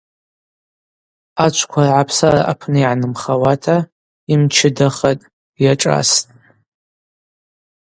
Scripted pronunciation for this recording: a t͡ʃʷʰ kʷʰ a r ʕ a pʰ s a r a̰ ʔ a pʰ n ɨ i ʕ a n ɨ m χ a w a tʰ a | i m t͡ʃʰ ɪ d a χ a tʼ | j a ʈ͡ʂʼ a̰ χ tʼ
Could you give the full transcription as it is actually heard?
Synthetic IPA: a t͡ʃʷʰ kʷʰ a r ʕ a pʰ s a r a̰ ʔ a pʰ n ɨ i ʕ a n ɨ m χ a w a tʰ a | i m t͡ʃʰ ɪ d a χ a tʼ | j a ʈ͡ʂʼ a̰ s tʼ

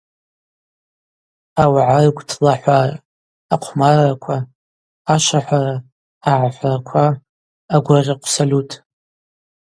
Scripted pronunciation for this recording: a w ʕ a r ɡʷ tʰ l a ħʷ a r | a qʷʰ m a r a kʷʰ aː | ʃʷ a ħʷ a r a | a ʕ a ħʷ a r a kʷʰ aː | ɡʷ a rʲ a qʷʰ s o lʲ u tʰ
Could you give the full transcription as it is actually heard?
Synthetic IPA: a w ʕ a r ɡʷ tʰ l a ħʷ a r | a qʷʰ m a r a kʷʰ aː | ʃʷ a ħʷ a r a | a ʕ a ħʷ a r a kʷʰ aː | ɡʷ a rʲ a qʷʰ s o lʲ u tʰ

